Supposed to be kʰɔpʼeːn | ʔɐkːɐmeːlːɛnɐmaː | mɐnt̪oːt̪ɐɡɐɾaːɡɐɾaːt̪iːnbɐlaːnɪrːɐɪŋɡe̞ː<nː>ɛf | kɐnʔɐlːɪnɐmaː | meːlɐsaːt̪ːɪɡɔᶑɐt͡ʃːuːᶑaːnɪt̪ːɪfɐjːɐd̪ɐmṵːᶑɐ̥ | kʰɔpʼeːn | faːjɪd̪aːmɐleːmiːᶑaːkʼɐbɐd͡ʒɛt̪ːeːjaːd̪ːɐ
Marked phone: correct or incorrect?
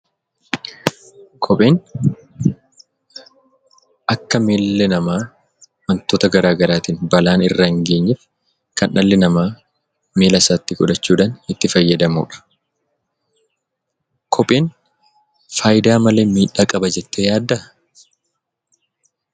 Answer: incorrect